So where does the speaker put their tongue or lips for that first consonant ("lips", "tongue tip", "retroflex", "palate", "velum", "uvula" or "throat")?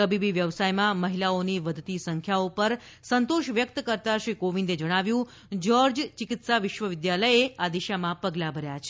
lips